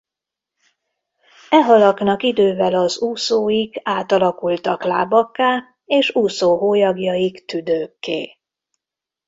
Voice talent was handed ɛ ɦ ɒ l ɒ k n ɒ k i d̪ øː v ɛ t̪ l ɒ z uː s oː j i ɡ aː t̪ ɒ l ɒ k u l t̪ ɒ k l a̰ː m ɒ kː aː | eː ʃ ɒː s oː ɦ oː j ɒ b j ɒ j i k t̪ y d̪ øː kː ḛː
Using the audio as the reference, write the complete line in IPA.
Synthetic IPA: ɛ ɦ ɒ l ɒ k n ɒ k i d̪ øː v ɛ l ɒ z uː s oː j i ɡ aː t̪ ɒ l ɒ k u l t̪ ɒ k l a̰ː b ɒ kː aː | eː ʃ uː s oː ɦ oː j ɒ ɡ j ɒ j i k t̪ y d̪ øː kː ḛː